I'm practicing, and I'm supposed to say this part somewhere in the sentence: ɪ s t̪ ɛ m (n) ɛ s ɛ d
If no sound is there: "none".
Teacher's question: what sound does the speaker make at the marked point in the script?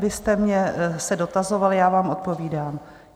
ɲ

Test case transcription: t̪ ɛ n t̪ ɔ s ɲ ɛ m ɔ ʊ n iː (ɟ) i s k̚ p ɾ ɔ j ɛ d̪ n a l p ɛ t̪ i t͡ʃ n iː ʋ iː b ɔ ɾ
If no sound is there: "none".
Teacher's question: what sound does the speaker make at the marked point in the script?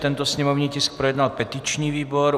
c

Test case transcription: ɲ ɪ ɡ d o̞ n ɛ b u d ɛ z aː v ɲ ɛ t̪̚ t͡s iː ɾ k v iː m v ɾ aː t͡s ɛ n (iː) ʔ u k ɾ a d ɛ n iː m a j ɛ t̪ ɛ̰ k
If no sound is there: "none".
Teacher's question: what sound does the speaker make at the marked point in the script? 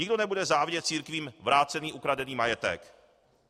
iː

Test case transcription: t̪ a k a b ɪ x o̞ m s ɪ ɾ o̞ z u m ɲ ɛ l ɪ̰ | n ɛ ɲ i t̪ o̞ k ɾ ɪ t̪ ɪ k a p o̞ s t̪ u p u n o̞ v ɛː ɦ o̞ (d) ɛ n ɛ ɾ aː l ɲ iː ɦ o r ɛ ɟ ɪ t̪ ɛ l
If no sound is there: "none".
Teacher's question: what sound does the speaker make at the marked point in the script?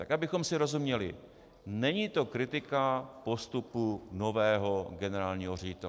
ɡ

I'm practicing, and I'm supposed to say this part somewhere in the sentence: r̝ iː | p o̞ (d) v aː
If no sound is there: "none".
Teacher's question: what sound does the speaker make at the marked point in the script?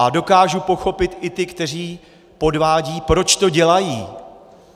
d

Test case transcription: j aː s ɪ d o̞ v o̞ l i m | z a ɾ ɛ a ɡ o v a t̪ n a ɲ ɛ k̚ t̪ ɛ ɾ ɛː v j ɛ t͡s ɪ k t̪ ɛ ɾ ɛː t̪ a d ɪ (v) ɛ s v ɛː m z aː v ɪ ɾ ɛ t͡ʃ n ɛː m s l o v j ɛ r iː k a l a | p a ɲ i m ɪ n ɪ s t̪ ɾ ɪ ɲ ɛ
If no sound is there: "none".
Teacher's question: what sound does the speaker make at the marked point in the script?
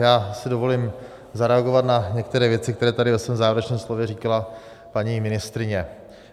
v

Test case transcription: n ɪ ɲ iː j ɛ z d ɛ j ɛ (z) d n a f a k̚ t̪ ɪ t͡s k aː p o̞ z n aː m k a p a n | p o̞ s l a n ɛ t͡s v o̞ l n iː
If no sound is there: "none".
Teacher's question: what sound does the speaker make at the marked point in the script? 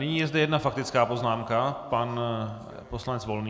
none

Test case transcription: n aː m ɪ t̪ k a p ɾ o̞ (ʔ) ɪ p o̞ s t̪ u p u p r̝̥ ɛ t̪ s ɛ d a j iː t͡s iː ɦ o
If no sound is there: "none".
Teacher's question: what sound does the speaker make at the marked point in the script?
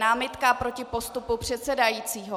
c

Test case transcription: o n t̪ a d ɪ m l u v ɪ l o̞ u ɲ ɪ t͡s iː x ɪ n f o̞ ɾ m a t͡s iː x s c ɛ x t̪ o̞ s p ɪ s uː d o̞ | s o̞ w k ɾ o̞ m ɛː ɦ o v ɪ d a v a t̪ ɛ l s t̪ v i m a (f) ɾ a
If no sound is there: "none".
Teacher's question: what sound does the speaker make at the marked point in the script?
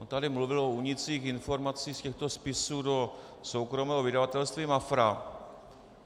f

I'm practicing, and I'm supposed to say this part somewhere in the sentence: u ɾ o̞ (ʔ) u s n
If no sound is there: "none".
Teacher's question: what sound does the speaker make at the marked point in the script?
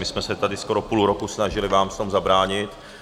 k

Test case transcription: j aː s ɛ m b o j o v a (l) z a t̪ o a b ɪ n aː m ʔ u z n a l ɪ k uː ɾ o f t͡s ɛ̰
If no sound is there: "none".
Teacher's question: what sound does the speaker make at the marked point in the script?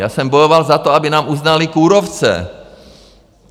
l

